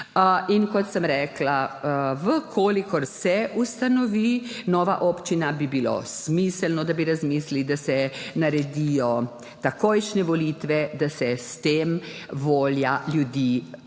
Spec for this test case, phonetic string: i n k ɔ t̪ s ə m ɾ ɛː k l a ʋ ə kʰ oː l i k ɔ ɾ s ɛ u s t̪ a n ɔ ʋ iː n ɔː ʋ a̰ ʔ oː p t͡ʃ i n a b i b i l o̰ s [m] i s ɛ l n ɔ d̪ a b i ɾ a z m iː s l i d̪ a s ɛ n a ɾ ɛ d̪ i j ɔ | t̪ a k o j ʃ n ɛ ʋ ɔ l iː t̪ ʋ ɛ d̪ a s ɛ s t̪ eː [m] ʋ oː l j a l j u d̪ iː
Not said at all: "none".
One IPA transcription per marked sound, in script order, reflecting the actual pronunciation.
m, m

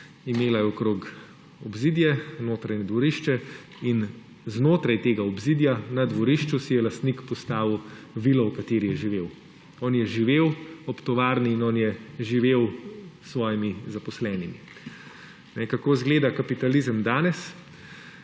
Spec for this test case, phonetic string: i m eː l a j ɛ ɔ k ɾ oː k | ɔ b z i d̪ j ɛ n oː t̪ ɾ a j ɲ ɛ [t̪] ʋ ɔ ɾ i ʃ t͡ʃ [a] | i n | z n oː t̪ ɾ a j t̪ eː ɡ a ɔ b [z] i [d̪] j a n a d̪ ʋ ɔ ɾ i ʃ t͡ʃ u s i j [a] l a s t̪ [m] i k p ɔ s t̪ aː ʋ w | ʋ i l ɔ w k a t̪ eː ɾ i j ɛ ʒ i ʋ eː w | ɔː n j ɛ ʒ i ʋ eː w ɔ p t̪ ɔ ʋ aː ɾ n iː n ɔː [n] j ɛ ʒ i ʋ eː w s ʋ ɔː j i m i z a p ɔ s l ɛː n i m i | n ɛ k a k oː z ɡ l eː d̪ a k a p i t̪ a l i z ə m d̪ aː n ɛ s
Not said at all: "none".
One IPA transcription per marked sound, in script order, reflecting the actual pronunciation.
d̪, ɛ, z, d̪, ɛ, n, n

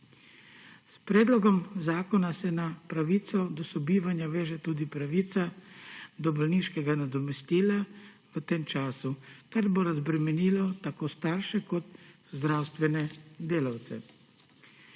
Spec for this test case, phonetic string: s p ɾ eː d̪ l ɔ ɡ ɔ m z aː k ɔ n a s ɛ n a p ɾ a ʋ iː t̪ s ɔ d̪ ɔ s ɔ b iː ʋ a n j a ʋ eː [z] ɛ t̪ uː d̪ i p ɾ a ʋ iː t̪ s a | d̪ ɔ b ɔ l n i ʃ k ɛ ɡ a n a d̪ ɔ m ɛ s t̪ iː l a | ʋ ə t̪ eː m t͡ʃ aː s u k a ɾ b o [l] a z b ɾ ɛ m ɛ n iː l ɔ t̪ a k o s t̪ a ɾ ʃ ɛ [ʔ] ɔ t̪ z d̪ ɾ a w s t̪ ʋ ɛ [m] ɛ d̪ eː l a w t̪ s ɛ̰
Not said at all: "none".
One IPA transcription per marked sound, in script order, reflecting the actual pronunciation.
ʒ, ɾ, k, n

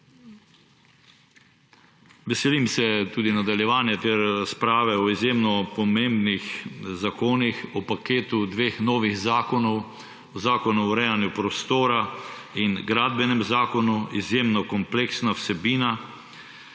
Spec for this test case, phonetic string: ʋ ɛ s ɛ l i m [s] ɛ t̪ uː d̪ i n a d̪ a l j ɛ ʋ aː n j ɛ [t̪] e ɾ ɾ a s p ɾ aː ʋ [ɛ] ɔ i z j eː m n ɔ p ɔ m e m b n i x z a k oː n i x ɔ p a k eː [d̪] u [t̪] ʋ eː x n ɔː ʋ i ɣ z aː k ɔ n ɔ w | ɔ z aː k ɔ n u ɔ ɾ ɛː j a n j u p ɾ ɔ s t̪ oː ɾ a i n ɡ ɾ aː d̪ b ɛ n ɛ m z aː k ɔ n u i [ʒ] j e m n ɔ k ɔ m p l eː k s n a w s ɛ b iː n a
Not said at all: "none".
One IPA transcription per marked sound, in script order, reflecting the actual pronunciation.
s, t̪, ɛ, t̪, d̪, z

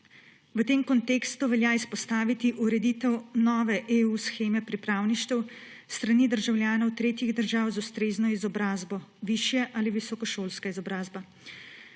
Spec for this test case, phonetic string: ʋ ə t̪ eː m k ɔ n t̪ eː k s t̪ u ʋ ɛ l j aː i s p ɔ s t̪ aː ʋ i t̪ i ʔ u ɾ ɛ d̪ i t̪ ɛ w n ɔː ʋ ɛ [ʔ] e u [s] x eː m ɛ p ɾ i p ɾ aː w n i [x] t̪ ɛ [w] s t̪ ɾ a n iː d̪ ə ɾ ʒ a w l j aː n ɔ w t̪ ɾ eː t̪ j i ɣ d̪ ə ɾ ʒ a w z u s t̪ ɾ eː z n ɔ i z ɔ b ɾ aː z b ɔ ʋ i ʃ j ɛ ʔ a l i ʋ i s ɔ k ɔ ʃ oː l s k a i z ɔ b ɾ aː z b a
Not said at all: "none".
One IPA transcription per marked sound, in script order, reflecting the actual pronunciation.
ʔ, s, ʃ, w

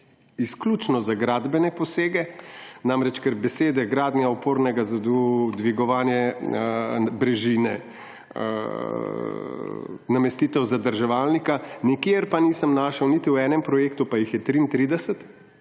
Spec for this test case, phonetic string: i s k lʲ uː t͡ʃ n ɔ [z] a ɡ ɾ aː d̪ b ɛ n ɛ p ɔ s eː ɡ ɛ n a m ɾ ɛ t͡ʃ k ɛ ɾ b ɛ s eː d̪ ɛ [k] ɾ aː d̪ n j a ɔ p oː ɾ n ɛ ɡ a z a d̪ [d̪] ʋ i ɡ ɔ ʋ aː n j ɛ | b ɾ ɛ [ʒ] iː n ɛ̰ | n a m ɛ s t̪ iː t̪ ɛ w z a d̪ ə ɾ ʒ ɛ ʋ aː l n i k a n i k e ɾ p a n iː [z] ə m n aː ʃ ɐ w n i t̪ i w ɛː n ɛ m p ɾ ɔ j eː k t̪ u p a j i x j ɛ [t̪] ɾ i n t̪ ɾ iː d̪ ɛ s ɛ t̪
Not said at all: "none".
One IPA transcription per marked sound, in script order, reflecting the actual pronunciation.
z, ɡ, d̪, ʒ, s, t̪

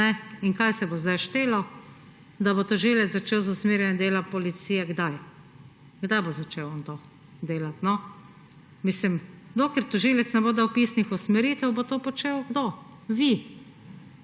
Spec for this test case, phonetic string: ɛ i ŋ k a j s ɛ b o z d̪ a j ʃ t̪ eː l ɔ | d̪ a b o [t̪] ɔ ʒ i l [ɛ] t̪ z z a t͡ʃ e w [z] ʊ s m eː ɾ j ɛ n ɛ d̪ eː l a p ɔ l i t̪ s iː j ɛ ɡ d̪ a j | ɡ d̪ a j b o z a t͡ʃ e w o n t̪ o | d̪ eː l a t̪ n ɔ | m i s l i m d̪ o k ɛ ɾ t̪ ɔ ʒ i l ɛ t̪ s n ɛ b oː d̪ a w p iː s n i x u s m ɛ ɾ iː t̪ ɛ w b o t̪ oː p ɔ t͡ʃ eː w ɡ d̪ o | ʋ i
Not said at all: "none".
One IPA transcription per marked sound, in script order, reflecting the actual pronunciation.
t̪, ɛ, z

